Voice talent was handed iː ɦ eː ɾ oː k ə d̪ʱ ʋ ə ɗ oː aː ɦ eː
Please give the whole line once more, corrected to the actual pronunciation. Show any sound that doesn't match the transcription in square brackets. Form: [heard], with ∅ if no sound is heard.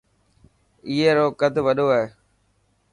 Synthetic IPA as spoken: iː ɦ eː ɾ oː k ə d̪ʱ ʋ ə ɗ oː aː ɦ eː